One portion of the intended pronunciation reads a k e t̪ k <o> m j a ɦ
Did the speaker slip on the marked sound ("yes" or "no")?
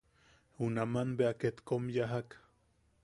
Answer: no